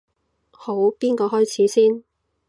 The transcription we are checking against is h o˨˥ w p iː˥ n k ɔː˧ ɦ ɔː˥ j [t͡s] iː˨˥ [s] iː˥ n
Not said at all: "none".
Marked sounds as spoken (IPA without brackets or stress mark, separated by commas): t͡sʰ, s